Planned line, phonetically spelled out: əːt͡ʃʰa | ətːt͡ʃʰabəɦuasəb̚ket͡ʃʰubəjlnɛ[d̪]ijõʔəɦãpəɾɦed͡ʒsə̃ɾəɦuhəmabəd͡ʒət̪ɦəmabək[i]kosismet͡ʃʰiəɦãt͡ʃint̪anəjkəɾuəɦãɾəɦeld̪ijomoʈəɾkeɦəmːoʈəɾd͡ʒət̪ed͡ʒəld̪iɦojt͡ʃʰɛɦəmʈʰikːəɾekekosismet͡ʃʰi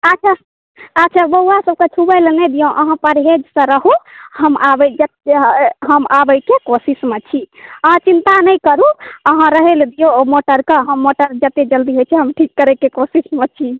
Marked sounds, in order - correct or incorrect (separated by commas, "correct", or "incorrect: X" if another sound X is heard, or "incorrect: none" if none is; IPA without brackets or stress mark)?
correct, incorrect: e